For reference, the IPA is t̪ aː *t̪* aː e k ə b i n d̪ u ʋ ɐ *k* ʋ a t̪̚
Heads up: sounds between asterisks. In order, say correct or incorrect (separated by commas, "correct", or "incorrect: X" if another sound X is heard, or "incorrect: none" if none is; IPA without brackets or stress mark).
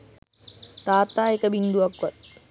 correct, correct